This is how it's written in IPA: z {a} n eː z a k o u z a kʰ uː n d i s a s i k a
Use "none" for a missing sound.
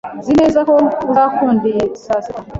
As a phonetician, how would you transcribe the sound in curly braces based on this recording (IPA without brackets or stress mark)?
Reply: i